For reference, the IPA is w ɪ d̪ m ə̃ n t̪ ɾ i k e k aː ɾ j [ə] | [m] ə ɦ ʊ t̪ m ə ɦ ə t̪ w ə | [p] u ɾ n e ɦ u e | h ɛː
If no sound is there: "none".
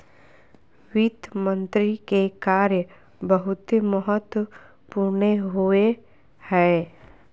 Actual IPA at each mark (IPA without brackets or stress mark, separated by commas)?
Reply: ə, b, p